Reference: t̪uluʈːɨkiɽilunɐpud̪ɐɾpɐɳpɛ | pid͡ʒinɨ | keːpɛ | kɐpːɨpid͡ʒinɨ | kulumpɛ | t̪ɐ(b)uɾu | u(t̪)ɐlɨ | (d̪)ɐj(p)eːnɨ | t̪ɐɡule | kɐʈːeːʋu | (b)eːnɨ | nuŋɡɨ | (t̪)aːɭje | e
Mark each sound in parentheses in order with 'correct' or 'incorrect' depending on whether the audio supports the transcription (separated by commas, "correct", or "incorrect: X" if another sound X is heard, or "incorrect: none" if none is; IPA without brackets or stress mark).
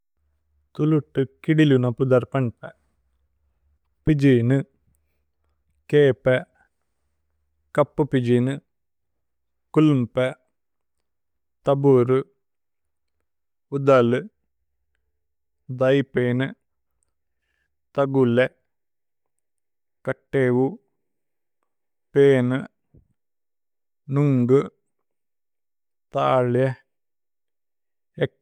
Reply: correct, incorrect: d̪, correct, correct, incorrect: p, correct